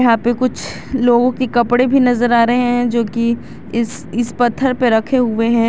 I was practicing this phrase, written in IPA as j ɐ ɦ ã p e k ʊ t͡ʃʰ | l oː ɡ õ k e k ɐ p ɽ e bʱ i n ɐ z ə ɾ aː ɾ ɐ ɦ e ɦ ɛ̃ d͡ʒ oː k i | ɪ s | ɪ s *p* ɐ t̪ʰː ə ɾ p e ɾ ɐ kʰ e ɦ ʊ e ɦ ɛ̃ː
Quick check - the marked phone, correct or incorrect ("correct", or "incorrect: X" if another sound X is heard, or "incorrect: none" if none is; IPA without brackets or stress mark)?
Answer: correct